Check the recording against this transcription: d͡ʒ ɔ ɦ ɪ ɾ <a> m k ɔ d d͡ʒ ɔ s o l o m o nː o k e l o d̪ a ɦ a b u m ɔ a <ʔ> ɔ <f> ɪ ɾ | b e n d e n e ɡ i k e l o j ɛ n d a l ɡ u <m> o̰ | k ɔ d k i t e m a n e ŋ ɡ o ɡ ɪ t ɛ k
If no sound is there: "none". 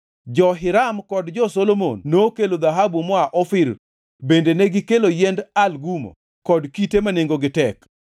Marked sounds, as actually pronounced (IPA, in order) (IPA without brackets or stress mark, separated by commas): a, ʔ, f, m